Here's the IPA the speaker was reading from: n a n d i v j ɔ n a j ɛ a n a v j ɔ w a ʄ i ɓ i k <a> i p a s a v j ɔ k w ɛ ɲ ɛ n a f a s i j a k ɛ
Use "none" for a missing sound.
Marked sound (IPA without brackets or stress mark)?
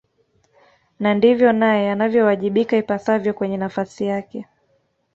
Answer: a